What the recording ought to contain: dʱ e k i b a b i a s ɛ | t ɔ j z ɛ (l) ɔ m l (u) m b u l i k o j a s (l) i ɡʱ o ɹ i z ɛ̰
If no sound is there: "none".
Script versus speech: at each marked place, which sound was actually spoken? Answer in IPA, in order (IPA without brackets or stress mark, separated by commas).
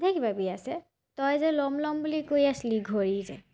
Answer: l, ɔ, l